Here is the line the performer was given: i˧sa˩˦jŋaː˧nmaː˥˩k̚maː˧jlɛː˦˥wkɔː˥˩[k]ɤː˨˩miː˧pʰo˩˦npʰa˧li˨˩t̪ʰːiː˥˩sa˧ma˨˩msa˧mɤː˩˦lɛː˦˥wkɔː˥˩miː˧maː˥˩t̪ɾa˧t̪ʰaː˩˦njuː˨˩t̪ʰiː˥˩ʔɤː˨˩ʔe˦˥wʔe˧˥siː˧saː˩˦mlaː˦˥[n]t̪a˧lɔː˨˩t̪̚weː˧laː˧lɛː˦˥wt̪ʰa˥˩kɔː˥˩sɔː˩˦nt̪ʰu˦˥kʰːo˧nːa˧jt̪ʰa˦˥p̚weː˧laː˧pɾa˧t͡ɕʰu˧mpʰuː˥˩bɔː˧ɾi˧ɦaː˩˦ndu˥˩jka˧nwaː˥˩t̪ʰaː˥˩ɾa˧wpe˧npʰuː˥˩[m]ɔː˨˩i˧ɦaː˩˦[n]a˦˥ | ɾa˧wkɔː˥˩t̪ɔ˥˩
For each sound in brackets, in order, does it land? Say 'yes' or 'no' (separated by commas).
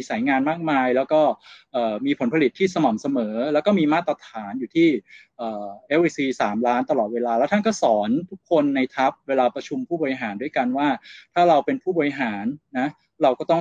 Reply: no, yes, no, no